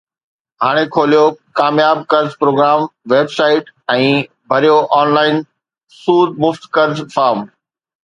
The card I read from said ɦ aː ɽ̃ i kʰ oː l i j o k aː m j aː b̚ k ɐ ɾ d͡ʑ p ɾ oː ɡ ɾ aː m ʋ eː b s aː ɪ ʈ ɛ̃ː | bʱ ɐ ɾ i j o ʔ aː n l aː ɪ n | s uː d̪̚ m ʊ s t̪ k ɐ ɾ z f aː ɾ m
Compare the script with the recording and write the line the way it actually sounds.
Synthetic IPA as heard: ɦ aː ɽ̃ e kʰ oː l i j o k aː m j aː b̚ k ɐ ɾ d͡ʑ p ɾ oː ɡ ɾ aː m ʋ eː b s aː ɪ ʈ ɛ̃ː | bʱ ɐ ɾ i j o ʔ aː n l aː ɪ n | s uː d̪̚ m ʊ f t̪ k ɐ ɾ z f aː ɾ m